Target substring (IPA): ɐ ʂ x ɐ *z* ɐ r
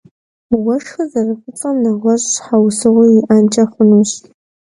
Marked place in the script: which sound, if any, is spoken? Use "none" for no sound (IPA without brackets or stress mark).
z